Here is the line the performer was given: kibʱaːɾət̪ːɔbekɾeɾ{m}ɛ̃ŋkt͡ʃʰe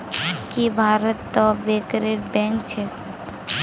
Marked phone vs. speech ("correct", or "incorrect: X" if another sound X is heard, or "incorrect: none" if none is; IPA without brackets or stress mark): incorrect: b